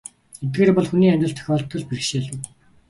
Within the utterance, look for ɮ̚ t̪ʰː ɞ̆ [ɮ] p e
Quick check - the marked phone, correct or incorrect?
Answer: correct